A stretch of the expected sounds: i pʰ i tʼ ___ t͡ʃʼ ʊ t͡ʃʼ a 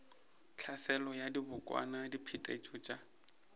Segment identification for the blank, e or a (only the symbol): e